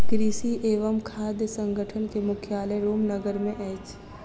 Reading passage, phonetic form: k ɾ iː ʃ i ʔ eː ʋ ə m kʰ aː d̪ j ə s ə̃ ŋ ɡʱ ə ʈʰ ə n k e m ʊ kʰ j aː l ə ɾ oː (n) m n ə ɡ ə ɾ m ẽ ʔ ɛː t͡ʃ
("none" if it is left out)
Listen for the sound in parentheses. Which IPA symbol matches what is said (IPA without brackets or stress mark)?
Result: none